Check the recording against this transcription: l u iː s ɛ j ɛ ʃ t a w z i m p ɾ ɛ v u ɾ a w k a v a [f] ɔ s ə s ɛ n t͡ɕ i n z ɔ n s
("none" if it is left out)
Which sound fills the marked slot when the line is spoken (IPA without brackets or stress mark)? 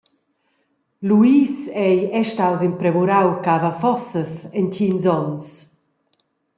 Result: f